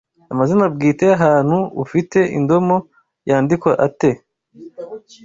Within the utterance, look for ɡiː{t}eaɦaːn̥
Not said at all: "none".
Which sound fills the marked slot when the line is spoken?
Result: t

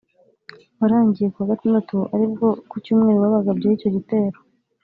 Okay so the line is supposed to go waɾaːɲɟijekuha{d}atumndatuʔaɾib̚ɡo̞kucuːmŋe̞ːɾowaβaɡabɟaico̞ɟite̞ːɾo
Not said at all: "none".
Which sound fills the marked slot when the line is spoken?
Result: ɡ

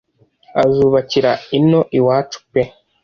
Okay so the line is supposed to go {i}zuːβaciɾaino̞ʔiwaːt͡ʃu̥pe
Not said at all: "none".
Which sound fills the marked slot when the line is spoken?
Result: a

